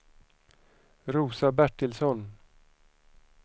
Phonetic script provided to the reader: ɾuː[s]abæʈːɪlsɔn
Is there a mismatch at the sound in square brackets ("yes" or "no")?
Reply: no